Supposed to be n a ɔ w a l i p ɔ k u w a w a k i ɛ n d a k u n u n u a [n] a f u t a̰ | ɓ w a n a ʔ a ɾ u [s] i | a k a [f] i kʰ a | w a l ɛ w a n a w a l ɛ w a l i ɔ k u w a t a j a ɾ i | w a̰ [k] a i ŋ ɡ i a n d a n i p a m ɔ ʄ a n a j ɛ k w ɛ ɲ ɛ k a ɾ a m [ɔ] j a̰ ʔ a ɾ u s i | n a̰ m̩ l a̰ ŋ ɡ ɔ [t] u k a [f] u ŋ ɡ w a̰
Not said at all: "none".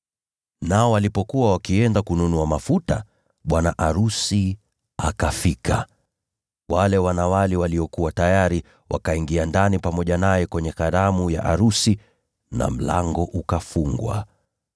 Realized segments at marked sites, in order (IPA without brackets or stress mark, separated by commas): m, s, f, k, u, ʔ, f